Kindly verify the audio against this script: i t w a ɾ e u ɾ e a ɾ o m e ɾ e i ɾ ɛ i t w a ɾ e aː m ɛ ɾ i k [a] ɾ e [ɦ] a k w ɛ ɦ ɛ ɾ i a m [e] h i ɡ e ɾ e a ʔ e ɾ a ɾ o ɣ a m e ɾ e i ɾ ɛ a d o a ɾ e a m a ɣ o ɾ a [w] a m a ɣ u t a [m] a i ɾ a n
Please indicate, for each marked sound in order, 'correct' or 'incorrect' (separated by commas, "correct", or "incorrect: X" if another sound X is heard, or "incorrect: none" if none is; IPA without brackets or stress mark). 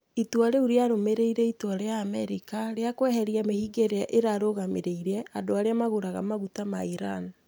correct, incorrect: none, correct, incorrect: ɣ, correct